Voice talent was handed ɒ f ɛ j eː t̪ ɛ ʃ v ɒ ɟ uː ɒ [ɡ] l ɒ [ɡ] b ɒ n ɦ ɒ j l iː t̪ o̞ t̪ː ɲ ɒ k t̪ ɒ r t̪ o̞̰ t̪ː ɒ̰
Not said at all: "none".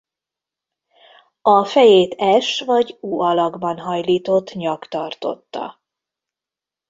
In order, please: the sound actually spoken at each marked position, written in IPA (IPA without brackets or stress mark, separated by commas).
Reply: none, ɡ